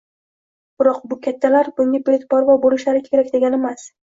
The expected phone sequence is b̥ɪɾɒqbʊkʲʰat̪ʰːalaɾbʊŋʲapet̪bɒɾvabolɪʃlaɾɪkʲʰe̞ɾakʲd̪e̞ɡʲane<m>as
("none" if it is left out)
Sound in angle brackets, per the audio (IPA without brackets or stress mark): m